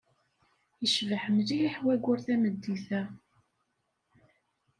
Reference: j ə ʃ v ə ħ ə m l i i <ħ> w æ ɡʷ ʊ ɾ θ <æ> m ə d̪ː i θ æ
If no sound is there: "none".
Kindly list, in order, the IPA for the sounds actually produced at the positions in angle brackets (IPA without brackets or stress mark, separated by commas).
ħ, æ